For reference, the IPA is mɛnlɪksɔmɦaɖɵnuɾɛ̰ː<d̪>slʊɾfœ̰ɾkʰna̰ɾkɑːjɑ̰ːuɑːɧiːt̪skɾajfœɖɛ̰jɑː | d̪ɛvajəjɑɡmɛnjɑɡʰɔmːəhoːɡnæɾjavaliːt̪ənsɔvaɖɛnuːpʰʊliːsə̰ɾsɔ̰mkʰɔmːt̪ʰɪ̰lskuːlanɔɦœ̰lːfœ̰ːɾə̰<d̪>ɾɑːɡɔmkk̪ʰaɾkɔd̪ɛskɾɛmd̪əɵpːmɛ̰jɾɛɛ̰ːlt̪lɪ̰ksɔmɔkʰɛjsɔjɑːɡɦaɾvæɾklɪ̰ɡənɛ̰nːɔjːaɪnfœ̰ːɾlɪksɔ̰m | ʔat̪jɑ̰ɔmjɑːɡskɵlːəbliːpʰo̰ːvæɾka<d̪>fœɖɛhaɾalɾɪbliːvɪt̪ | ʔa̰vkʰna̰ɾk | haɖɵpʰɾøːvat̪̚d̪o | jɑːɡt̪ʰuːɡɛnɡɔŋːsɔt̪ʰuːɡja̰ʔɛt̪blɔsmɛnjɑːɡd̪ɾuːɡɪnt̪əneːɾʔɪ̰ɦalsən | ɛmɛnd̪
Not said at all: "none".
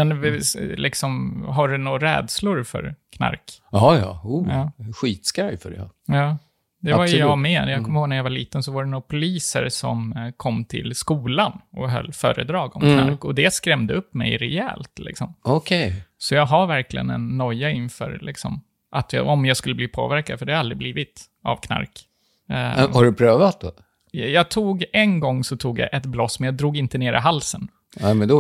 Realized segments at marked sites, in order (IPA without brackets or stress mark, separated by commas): d̪, d̪, d̪